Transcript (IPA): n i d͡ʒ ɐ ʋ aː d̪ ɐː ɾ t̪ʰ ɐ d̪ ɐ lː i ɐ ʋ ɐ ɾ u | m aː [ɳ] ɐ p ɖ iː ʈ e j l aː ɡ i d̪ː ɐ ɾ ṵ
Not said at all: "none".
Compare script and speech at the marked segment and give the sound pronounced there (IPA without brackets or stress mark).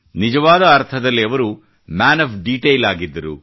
n